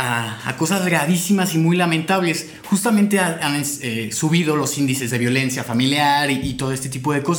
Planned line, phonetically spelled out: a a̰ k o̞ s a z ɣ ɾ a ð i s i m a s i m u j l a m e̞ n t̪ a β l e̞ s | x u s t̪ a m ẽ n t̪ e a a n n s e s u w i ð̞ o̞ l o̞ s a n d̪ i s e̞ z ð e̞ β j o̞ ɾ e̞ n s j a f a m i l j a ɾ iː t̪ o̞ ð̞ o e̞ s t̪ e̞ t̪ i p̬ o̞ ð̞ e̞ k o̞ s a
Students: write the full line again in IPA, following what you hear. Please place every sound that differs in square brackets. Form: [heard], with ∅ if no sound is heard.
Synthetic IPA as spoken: a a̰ k o̞ s a z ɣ ɾ a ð i s i m a s i m u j l a m e̞ n t̪ a β l e̞ s | x u s t̪ a m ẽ n t̪ e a a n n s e s u [β] i ð̞ o̞ l o̞ s [i] n d̪ i s e̞ z ð e̞ β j o̞ [l] e̞ n s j a f a m i l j a ɾ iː t̪ o̞ ð̞ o e̞ s t̪ e̞ t̪ i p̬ o̞ ð̞ e̞ k o̞ s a